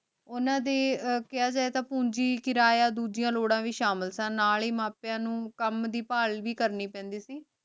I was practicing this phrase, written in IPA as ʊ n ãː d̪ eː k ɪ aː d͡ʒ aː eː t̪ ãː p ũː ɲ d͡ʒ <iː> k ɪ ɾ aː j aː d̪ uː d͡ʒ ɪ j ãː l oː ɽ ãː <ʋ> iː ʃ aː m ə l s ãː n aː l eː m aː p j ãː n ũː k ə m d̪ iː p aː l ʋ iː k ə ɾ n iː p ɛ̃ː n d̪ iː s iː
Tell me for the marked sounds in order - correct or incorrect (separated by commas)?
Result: correct, correct